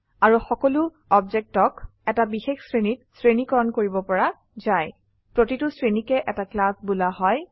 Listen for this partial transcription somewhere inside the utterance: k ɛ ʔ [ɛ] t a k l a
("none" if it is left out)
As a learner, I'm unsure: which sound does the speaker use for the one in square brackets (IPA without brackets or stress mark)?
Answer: ɛ